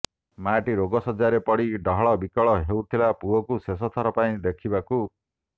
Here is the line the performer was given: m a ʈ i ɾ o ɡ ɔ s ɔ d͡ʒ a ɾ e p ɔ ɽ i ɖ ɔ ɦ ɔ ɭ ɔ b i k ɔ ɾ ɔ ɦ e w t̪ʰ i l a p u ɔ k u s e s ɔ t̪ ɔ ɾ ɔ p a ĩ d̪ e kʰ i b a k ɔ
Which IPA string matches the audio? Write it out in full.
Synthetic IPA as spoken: m a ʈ i ɾ o ɡ ɔ s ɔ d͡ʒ a ɾ e p ɔ ɽ i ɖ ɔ ɦ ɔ ɭ ɔ b i k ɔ ɭ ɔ ɦ e w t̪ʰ i l a p u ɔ k u s e s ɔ t̪ʰ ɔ ɾ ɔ p a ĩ d̪ e kʰ i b a k u